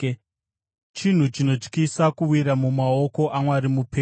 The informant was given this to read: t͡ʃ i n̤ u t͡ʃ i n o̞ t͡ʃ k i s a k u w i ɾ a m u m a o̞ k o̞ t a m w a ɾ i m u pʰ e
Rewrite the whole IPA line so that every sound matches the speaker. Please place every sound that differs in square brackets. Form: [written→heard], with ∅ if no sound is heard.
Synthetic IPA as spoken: t͡ʃ i n̤ u t͡ʃ i n o̞ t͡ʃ k i s a k u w i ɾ a m u m a o̞ k o̞ [t→ʔ] a m w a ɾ i m u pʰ e